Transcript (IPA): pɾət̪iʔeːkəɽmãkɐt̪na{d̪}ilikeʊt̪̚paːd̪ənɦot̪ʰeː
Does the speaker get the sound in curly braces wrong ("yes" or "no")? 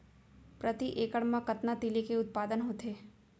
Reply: yes